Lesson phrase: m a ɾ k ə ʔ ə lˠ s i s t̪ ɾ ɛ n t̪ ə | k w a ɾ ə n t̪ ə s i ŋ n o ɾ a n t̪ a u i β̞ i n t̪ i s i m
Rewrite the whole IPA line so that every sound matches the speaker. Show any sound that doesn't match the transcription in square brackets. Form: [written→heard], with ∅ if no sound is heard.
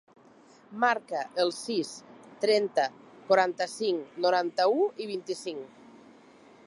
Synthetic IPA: m a ɾ k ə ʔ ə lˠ s i s t̪ ɾ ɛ n t̪ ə | k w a ɾ [ə→a] n t̪ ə s i ŋ n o ɾ a n t̪ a u i β̞ i n t̪ i s i [m→ŋ]